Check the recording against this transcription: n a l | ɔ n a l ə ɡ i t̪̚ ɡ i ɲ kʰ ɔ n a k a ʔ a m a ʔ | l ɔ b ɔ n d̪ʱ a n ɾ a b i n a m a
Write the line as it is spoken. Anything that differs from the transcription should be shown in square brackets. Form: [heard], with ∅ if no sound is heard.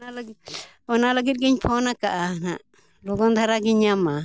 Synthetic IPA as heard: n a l | ɔ n a l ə ɡ i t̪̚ ɡ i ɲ [pʰ] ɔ n a k a ʔ a [n] a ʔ | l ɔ [ɡ] ɔ n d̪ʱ a [∅] ɾ a [ɡ] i [ɲ] a m a